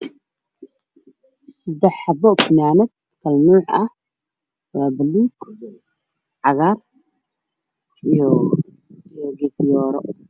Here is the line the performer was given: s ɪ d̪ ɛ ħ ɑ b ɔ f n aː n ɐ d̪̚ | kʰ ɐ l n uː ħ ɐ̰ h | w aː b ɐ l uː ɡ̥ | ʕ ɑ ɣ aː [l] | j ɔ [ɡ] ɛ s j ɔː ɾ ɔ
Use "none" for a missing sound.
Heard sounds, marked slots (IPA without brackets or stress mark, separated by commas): r, ɡ